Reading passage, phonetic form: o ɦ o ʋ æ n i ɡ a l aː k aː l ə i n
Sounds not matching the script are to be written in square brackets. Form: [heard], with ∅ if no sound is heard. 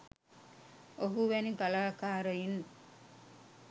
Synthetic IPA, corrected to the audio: o ɦ [u] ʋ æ n i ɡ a l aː k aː [ɾ] ə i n